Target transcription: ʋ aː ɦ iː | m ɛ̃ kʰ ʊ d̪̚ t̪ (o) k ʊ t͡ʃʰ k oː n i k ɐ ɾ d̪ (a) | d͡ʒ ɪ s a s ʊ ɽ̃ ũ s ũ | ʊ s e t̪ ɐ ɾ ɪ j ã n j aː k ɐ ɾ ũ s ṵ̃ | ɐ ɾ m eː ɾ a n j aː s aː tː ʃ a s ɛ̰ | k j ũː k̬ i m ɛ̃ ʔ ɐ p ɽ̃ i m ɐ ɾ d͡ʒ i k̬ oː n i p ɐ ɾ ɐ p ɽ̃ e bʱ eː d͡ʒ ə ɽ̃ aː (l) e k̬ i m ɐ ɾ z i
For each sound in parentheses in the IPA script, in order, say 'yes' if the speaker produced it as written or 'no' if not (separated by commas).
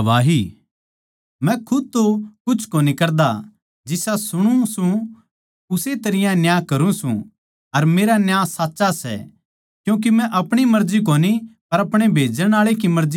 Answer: yes, yes, no